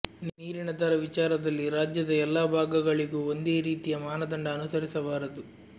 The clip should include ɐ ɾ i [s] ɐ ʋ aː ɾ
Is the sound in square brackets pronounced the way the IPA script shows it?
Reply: yes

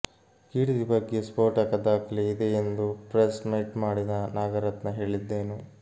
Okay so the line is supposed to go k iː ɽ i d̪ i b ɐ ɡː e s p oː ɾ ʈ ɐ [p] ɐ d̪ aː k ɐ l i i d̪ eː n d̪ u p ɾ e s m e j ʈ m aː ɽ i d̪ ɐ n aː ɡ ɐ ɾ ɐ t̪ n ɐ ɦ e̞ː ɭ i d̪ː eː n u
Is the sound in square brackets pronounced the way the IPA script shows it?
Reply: no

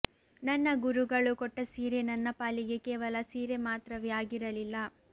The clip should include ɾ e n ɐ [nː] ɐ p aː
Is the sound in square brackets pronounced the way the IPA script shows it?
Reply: yes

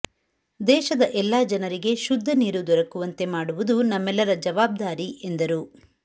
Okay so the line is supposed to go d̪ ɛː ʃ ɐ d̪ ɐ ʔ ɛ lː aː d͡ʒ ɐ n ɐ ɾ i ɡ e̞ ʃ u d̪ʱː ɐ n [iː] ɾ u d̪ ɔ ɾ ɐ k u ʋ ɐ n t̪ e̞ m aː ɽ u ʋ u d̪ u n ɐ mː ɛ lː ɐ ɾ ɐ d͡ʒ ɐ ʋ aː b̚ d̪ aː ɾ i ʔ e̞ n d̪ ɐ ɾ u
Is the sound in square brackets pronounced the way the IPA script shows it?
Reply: yes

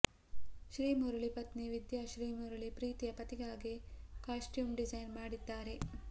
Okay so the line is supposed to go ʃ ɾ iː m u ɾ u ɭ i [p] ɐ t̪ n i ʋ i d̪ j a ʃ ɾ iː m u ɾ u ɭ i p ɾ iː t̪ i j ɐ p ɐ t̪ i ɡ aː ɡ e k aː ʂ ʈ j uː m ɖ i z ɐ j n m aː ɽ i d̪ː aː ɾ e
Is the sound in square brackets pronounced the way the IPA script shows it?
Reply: yes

